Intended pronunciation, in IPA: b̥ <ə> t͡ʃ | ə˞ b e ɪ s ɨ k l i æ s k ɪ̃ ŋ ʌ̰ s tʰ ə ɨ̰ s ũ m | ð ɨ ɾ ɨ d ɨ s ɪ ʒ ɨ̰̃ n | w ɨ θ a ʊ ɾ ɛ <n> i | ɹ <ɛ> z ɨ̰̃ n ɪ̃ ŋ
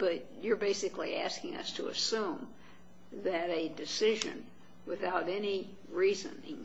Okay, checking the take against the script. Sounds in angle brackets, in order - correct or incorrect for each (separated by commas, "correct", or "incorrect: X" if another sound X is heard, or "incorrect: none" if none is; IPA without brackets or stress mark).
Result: incorrect: ʌ, correct, incorrect: i